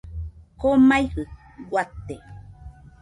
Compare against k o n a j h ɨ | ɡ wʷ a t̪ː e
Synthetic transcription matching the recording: k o m a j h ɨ | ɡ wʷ a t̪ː e